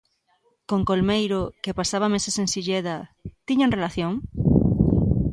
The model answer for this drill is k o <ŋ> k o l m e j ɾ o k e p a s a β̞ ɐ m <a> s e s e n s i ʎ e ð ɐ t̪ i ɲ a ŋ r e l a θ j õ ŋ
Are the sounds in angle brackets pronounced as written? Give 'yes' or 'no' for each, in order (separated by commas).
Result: yes, no